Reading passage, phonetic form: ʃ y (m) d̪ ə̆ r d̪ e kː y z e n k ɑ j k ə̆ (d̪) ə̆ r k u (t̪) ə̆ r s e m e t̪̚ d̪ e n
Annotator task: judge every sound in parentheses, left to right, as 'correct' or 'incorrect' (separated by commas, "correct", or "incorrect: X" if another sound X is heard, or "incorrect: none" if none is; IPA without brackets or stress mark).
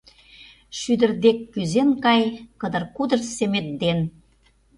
incorrect: none, correct, incorrect: d̪